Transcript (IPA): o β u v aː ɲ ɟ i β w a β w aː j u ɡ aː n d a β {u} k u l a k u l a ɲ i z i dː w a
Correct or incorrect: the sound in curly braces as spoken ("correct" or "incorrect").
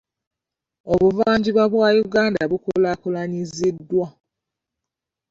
correct